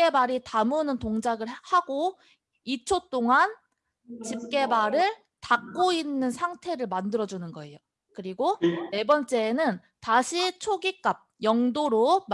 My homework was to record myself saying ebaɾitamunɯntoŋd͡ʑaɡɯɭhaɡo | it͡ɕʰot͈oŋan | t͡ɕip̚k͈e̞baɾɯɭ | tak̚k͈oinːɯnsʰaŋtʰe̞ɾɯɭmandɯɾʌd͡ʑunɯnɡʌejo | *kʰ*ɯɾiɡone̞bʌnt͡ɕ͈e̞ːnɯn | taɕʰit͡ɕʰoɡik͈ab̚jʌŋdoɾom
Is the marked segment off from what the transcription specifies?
yes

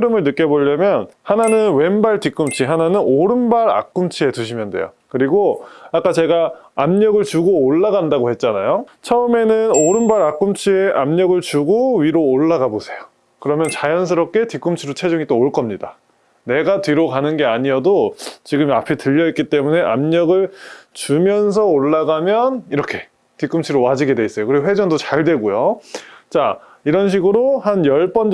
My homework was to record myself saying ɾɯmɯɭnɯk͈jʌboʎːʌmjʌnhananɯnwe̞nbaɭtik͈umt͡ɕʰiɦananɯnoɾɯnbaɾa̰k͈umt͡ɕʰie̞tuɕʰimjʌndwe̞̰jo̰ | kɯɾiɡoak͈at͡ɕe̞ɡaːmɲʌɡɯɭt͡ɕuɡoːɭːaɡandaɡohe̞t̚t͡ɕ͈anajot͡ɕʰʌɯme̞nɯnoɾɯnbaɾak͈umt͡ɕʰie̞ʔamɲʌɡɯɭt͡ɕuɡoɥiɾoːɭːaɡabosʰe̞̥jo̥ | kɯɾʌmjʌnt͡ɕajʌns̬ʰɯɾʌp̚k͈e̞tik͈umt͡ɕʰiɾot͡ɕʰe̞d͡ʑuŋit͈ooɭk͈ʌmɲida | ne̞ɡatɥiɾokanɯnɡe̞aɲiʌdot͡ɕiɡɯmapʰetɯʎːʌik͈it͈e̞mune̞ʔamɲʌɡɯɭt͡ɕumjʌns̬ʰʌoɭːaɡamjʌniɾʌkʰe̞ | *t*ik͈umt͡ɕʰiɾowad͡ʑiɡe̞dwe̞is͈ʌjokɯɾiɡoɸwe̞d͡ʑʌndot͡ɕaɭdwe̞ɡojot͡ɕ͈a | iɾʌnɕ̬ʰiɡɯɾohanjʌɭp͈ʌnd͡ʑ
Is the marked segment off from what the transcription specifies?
no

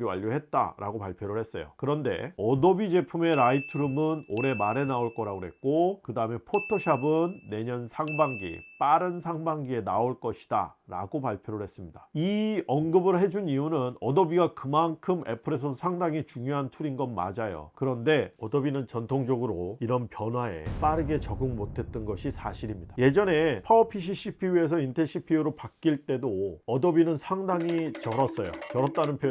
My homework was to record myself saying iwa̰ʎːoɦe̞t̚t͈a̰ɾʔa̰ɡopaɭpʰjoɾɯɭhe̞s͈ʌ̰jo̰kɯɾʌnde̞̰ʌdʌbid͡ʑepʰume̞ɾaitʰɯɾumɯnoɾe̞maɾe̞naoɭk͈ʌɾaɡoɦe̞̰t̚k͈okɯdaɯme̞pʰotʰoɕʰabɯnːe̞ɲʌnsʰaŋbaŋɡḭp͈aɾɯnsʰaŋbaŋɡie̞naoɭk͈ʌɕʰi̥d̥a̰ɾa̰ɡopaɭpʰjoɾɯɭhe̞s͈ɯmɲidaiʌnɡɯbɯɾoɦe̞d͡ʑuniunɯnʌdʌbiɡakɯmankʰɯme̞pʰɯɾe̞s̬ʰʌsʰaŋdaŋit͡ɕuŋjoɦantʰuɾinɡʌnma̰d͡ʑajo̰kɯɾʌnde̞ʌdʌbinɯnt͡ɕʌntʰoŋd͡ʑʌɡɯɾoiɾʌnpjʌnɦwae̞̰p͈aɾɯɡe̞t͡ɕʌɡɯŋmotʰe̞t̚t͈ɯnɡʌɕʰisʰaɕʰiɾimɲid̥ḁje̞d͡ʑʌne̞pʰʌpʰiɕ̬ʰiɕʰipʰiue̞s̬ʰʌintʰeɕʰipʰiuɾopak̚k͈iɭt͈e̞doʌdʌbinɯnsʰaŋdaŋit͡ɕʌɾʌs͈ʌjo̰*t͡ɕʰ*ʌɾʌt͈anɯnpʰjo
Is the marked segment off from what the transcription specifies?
yes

